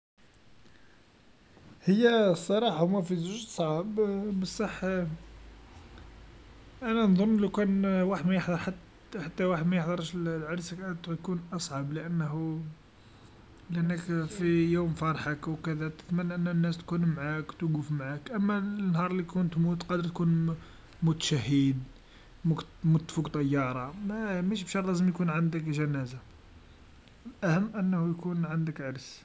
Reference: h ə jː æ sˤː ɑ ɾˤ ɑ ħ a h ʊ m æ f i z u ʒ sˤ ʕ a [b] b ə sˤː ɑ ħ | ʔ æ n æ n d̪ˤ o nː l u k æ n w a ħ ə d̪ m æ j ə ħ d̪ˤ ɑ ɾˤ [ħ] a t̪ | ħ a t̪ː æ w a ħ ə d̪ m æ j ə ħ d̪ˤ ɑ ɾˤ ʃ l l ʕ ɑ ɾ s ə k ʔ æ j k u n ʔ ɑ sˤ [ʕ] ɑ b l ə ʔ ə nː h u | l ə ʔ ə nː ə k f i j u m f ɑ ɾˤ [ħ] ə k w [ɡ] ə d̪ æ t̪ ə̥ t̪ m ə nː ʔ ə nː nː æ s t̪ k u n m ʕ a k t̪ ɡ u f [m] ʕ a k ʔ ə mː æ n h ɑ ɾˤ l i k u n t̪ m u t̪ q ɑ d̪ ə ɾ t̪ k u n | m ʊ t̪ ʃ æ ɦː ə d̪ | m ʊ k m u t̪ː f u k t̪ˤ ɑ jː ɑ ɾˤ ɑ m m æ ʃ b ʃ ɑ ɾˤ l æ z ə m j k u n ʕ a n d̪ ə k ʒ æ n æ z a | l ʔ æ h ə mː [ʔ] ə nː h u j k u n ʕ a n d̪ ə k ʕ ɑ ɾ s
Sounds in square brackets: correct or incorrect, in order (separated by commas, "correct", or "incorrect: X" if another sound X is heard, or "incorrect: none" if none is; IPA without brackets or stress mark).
correct, correct, correct, correct, incorrect: k, correct, correct